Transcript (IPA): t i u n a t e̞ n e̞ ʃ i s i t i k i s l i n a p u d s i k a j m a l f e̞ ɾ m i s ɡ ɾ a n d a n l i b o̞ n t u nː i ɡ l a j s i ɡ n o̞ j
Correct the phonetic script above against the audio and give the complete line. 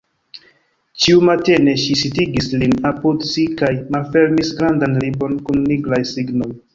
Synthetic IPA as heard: t͡ʃ i u m a t e̞ n e̞ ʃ i s i t i ɡ i s l i n a p u d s i k a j m a l f e̞ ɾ m i s ɡ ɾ a n d a n l i b o̞ n k u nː i ɡ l a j s i ɡ n o̞ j